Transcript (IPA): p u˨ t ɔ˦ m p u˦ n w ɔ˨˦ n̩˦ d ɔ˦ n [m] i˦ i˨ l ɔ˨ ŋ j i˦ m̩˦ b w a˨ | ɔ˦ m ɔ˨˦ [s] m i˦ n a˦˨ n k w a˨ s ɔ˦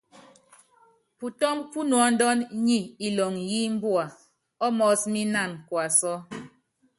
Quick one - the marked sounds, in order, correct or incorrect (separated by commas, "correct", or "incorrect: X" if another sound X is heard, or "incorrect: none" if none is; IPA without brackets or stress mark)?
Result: incorrect: ɲ, correct